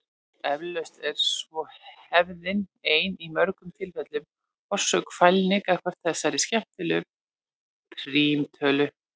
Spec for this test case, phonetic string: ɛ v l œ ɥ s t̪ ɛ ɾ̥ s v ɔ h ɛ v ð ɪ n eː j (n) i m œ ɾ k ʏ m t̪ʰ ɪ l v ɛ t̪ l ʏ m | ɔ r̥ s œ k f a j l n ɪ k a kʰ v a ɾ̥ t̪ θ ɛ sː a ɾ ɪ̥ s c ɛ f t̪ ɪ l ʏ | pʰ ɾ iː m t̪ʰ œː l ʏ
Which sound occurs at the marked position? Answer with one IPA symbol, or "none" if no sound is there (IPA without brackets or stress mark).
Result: n